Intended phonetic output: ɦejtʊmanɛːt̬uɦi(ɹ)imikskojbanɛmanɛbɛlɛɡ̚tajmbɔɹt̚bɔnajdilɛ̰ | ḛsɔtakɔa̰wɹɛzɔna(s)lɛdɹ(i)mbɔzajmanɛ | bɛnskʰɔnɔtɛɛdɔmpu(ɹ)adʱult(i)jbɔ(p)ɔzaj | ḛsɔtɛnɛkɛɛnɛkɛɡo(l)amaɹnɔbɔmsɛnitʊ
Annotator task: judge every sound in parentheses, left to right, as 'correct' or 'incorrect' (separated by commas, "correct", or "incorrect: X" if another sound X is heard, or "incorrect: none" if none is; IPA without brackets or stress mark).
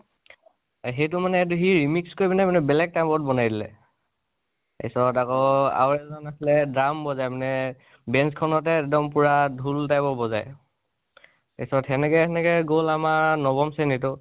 correct, correct, incorrect: a, correct, incorrect: a, incorrect: b, correct